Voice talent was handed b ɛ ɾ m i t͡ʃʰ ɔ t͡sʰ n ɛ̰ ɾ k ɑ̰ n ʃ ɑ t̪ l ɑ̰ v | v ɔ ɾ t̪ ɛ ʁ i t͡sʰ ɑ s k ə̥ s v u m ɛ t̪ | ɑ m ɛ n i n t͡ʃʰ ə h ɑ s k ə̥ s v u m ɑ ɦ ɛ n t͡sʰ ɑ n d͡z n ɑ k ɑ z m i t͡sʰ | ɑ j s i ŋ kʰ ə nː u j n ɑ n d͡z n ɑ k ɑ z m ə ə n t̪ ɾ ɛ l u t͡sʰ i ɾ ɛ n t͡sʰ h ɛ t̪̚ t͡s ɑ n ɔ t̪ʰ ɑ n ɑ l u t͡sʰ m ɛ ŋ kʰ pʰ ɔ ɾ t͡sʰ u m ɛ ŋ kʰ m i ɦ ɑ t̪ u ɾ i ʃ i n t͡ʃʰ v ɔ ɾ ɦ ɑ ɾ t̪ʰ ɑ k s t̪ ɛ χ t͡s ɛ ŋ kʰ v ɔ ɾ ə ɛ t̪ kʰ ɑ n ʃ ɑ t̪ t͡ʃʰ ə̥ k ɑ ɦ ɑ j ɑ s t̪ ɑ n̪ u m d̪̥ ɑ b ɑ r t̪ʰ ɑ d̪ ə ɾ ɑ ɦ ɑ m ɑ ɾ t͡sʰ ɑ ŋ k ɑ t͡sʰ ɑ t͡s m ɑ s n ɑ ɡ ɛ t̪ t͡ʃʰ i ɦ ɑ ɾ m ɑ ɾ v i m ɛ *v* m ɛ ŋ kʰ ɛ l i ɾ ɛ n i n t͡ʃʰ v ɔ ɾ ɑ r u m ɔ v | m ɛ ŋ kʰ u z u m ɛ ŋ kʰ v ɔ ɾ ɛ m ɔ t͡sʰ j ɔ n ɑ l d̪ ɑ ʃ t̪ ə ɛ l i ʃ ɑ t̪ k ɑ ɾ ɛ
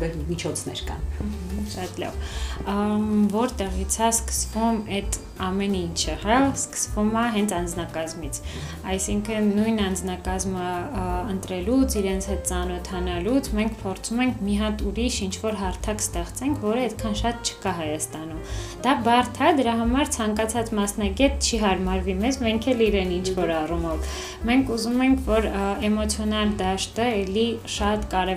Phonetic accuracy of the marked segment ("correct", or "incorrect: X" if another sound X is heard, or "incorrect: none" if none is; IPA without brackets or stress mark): incorrect: z